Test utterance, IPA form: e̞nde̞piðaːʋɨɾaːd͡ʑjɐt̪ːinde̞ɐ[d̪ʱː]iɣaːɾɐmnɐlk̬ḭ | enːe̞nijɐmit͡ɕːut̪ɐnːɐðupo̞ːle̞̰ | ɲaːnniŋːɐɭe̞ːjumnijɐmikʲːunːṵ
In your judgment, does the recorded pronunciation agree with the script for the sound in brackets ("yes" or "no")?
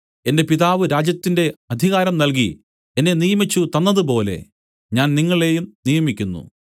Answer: no